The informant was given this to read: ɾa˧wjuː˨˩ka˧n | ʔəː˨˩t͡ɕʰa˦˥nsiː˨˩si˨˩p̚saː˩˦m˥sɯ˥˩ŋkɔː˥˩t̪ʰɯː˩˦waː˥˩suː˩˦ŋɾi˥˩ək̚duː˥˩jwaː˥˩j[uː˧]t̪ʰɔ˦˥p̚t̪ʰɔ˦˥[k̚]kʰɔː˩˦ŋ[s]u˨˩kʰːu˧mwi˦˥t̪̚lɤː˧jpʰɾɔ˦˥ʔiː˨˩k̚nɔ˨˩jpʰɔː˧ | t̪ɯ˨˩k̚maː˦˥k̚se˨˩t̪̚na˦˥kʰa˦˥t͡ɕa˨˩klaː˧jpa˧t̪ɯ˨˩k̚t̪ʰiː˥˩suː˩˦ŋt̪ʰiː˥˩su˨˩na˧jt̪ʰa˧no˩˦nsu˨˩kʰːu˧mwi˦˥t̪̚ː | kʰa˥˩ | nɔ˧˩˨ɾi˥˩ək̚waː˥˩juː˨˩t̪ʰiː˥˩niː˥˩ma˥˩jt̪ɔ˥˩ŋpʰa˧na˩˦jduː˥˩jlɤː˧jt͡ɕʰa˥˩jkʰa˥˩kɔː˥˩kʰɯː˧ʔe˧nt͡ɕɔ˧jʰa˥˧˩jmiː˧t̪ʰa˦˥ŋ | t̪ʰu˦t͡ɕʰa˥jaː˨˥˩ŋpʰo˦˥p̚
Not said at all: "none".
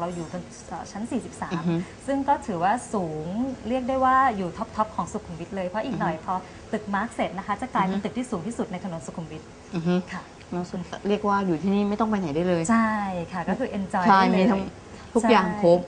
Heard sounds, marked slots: uː˨˩, p̚, s

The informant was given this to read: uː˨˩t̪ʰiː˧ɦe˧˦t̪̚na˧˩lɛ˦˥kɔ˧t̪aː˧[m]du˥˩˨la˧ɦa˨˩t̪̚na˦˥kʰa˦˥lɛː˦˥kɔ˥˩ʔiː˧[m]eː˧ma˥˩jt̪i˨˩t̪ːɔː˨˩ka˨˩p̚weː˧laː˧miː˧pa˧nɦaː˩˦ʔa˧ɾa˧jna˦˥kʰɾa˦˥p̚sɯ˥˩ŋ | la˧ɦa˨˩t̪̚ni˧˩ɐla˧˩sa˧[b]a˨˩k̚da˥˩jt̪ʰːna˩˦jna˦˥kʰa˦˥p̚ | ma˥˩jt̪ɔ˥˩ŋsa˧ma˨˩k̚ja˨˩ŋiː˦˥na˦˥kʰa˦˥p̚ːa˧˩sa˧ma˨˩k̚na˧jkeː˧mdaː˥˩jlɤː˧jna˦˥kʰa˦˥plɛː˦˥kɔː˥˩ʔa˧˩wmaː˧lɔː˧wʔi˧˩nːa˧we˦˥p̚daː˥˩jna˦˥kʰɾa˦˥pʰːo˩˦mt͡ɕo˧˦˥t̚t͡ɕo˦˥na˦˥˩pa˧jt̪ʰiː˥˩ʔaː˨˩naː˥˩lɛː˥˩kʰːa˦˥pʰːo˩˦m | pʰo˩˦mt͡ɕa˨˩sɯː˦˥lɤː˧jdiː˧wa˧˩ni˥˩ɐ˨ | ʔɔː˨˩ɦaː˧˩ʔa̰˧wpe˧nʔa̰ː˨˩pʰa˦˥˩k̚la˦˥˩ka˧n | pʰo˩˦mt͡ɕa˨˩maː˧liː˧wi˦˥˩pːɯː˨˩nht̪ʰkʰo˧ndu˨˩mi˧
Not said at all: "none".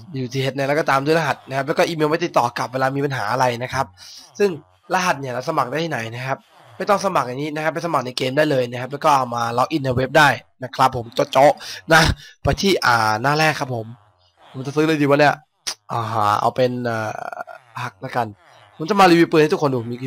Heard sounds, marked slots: m, m, m

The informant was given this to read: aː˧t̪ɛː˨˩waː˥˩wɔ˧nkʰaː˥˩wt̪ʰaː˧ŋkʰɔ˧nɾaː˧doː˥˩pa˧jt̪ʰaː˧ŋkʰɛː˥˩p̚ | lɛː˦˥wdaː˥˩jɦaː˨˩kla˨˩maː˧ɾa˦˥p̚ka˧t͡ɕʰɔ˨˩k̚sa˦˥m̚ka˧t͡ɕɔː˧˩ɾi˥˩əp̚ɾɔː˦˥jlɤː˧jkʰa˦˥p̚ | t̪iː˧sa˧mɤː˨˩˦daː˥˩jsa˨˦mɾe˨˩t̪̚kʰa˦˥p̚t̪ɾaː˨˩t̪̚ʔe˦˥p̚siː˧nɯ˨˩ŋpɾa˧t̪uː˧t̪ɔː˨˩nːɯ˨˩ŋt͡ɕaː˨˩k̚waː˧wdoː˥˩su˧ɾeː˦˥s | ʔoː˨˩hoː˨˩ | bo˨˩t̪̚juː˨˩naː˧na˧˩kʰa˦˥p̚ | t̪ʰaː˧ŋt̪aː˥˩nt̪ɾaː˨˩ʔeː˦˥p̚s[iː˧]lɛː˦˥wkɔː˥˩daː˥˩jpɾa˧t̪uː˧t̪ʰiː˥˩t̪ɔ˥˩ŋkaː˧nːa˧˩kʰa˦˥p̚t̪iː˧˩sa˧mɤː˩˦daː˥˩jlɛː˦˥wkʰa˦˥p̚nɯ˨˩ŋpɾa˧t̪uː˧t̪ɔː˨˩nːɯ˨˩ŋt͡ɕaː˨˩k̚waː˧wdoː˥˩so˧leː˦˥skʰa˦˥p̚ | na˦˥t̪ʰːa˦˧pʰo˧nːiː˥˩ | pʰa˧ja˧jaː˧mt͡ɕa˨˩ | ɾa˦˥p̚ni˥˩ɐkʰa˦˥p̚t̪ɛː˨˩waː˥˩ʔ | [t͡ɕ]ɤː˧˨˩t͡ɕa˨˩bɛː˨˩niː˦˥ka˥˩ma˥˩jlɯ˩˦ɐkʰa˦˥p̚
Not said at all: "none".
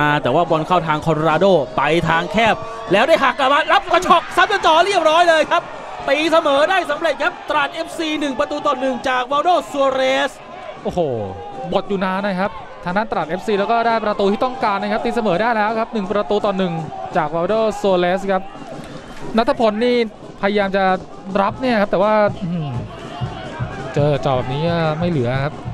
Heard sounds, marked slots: iː˧, t͡ɕ

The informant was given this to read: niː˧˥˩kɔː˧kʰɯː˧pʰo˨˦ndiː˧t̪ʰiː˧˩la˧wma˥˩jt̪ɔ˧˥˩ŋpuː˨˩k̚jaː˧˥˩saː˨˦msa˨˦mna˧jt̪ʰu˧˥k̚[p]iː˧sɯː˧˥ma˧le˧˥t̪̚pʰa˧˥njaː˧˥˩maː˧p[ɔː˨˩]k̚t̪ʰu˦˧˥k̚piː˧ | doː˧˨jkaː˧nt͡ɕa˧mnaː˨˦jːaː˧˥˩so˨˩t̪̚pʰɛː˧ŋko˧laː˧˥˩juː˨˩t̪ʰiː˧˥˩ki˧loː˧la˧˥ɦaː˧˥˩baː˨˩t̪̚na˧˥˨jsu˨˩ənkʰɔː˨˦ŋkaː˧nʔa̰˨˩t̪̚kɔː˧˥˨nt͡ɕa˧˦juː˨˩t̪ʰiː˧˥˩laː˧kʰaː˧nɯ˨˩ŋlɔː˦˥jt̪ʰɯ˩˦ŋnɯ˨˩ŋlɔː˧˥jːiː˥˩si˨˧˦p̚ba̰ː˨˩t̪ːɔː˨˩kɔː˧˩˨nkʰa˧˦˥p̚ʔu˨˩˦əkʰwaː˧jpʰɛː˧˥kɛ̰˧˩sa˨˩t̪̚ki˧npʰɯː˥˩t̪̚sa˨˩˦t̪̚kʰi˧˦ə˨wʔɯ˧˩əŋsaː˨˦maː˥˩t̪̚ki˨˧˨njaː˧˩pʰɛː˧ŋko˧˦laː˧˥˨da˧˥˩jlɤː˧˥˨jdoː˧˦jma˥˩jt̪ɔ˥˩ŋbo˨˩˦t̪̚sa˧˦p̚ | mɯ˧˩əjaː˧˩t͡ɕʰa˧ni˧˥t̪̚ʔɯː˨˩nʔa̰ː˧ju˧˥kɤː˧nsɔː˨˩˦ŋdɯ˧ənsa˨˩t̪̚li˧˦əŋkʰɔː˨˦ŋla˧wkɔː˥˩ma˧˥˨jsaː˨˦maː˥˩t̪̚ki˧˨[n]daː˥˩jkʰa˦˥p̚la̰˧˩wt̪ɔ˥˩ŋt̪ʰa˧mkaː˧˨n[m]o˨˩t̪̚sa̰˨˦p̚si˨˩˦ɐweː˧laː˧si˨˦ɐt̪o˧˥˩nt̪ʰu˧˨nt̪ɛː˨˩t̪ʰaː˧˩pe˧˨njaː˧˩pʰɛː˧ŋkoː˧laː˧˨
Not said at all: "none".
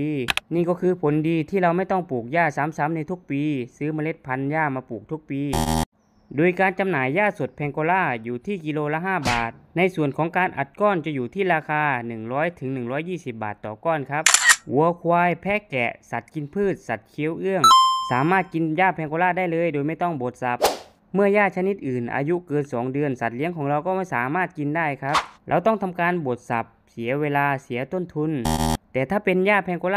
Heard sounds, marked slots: p, uː˨˩, n, b

